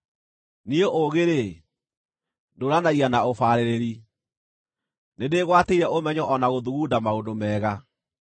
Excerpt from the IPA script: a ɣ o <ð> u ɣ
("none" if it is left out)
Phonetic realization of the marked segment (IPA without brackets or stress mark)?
ð